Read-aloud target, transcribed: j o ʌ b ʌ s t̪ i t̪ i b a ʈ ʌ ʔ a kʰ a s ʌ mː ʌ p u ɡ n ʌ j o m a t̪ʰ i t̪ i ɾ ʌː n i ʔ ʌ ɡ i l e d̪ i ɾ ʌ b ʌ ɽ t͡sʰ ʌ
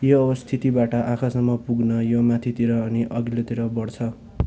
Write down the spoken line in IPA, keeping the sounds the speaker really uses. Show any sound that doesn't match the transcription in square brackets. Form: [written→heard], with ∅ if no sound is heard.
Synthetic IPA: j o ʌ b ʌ s [t̪→t̪ʰ] i t̪ i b a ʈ ʌ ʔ a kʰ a s ʌ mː ʌ p u ɡ n ʌ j o m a t̪ʰ i t̪ i ɾ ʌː n i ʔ ʌ ɡ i l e [d̪→t̪] i ɾ ʌ b ʌ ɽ t͡sʰ ʌ